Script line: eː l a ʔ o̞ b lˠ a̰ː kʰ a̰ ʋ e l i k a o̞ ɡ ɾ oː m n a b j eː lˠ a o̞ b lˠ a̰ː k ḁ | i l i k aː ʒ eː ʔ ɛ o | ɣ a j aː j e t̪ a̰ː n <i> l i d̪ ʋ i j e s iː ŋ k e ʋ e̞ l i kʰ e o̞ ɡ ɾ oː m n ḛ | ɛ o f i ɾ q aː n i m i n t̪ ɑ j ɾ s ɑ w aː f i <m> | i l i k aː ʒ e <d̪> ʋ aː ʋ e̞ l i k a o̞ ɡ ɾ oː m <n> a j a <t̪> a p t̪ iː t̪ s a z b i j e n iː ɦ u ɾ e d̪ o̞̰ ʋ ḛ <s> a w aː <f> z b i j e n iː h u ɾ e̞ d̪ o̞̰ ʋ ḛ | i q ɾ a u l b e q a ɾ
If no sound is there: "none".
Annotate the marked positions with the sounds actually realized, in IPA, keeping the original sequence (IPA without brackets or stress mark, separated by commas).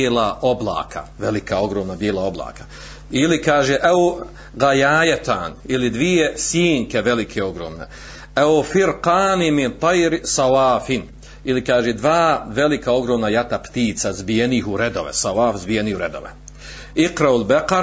i, n, d̪, n, t̪, s, f